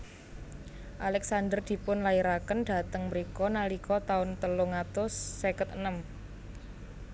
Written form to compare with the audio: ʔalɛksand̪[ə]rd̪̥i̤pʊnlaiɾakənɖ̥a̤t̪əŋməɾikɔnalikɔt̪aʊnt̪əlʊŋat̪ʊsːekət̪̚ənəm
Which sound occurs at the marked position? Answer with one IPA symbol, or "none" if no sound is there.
ə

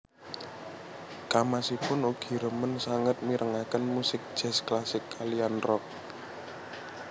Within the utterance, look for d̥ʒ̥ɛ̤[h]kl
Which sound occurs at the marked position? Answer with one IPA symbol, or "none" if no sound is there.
s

